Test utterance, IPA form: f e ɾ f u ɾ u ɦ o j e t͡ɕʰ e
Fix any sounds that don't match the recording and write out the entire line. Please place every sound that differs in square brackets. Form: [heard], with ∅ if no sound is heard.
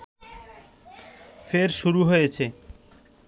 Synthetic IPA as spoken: f e ɾ [ʃ] u ɾ u ɦ o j e t͡ɕʰ e

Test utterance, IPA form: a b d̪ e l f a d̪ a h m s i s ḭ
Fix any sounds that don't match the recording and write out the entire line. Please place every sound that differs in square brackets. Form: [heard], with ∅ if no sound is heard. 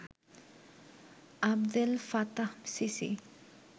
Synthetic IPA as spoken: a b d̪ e l f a [t̪] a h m s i s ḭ

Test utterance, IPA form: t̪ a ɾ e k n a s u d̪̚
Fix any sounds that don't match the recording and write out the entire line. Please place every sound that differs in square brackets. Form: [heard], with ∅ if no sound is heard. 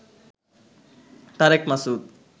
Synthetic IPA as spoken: t̪ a ɾ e k [m] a s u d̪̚

